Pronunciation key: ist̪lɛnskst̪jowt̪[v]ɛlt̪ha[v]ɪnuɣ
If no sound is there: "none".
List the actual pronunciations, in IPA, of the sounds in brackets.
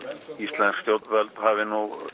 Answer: v, v

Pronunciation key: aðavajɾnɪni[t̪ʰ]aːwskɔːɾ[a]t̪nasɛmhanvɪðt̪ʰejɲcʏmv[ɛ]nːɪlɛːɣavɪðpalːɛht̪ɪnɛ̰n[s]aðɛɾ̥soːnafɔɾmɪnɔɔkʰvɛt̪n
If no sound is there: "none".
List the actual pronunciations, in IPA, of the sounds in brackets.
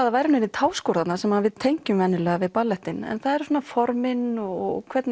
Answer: t̪ʰ, a, ɛ, θ

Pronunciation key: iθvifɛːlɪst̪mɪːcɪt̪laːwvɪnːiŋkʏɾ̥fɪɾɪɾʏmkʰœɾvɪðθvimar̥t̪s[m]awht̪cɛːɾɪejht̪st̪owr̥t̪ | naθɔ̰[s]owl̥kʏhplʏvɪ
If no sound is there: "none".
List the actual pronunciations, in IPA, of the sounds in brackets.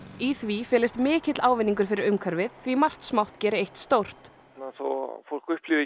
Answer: m, f

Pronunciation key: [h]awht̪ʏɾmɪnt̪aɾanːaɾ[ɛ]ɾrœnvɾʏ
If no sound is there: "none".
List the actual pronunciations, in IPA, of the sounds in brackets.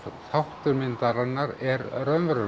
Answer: θ, ɛ

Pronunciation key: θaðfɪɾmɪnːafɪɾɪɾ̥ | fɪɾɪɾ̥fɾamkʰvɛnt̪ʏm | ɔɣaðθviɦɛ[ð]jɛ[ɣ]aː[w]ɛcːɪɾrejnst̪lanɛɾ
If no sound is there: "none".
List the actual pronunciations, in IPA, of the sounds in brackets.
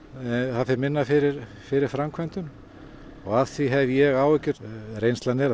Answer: v, ɣ, w

